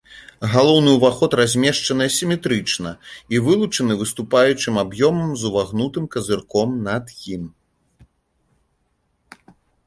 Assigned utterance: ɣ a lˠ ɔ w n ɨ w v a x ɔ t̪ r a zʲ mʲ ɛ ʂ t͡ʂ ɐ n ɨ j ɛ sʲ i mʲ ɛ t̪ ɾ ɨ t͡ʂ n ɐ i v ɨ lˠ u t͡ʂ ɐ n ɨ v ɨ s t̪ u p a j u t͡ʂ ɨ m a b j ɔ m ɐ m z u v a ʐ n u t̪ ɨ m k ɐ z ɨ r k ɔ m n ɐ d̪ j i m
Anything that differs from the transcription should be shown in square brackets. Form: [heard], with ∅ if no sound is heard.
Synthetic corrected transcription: ɣ a lˠ ɔ w n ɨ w v a x ɔ t̪ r a zʲ mʲ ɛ ʂ t͡ʂ ɐ n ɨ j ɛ sʲ i mʲ ɛ t̪ ɾ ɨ t͡ʂ n ɐ i v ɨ lˠ u t͡ʂ ɐ n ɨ v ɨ s t̪ u p a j u t͡ʂ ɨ m a b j ɔ m ɐ m z u v a [ɣ] n u t̪ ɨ m k ɐ z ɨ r k ɔ m n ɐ d̪ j i m

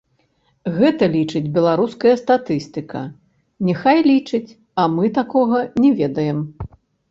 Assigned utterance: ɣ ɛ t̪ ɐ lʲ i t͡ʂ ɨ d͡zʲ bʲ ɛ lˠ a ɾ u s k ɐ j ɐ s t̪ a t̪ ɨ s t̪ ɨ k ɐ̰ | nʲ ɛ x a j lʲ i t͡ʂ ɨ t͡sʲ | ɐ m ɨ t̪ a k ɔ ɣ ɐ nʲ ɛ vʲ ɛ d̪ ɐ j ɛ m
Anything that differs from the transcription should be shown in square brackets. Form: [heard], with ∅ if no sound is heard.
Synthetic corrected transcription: ɣ ɛ t̪ ɐ lʲ i t͡ʂ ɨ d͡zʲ bʲ ɛ lˠ a ɾ u s k ɐ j ɐ s t̪ a t̪ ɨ s t̪ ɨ k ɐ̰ | nʲ ɛ x a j lʲ i t͡ʂ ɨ t͡sʲ | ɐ m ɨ t̪ a k ɔ ɣ ɐ nʲ ɛ vʲ ɛ d̪ ɐ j ɛ m

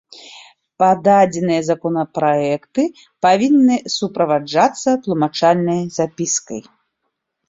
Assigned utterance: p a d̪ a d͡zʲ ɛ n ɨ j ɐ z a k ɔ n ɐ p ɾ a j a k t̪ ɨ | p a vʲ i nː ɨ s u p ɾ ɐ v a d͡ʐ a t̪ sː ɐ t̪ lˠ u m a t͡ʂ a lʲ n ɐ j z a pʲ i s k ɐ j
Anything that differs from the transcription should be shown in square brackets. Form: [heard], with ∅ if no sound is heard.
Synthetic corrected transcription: p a d̪ a d͡zʲ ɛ n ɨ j ɐ z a k ɔ n ɐ p ɾ a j [ɛ] k t̪ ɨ | p a vʲ i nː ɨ s u p ɾ ɐ v a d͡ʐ a t̪ sː ɐ t̪ lˠ u m a t͡ʂ a lʲ n ɐ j z a pʲ i s k ɐ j

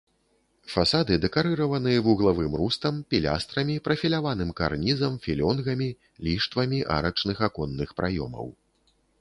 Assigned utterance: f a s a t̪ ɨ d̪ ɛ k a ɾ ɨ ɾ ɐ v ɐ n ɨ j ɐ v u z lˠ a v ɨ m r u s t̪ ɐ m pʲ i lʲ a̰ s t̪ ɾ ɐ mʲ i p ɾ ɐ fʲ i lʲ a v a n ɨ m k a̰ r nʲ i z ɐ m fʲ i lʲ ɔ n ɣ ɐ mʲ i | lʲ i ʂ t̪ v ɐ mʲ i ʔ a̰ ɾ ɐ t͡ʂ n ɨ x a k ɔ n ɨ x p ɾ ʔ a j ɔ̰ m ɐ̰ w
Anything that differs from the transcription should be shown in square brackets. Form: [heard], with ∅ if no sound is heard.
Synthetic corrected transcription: f a s a [d̪] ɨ d̪ ɛ k a ɾ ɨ ɾ ɐ v ɐ n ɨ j ɐ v u [ɣ] lˠ a v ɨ m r u s t̪ ɐ m pʲ i lʲ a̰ s t̪ ɾ ɐ mʲ i p ɾ ɐ fʲ i lʲ a v a n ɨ m k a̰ r nʲ i z ɐ m fʲ i lʲ ɔ n ɣ ɐ mʲ i | lʲ i ʂ t̪ v ɐ mʲ i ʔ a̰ ɾ ɐ t͡ʂ n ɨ x a k ɔ [nː] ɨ x p ɾ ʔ a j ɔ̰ m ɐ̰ w

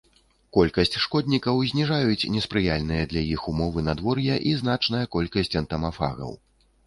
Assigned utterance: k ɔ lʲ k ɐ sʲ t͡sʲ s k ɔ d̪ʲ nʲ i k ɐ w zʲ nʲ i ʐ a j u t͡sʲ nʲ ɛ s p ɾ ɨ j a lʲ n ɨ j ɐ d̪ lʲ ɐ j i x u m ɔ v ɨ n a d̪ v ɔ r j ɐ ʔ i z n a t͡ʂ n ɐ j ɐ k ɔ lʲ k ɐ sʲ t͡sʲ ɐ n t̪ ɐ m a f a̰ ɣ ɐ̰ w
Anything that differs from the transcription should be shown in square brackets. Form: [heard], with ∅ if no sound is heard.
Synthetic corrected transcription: k ɔ lʲ k ɐ sʲ t͡sʲ [ʂ] k ɔ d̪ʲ nʲ i k ɐ w zʲ nʲ i ʐ a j u t͡sʲ nʲ ɛ s p ɾ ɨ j a lʲ n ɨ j ɐ d̪ lʲ ɐ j i x u m ɔ v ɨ n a d̪ v ɔ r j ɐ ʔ i z n a t͡ʂ n ɐ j ɐ k ɔ lʲ k ɐ sʲ t͡sʲ ɐ n t̪ ɐ m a f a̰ ɣ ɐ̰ w

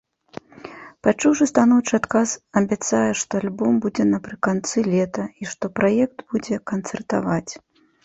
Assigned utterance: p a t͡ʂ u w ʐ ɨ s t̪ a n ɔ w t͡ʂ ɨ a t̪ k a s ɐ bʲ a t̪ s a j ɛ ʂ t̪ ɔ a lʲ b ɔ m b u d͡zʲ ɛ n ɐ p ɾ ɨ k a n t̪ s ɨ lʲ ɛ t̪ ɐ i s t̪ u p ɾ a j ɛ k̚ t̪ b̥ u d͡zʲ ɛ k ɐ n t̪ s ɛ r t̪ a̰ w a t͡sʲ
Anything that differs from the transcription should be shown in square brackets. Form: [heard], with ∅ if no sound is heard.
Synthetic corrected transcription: p a t͡ʂ u w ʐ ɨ s t̪ a n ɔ w t͡ʂ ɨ a t̪ k a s ɐ bʲ a t̪ s a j ɛ ʂ t̪ ɔ a lʲ b ɔ m b u d͡zʲ ɛ n ɐ p ɾ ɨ k a n t̪ s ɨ lʲ ɛ t̪ ɐ i [ʂ] t̪ [ɔ] p ɾ a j ɛ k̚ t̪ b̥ u d͡zʲ ɛ k ɐ n t̪ s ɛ r t̪ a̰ [v] a t͡sʲ

